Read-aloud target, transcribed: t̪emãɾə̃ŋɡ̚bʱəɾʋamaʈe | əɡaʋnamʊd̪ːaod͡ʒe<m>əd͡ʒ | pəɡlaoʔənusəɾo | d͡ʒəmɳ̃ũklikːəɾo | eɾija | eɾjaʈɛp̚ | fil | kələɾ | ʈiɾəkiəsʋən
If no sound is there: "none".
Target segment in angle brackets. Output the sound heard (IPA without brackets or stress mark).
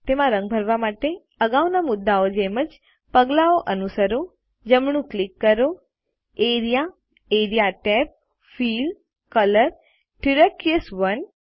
m